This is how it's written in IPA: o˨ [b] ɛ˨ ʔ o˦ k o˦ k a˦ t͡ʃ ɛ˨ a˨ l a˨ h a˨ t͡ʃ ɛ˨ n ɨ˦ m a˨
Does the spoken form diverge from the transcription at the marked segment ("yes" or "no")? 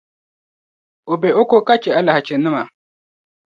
no